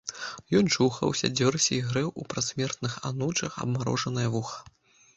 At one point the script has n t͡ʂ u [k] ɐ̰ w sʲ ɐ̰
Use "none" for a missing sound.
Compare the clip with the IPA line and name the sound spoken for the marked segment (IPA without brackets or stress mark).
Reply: x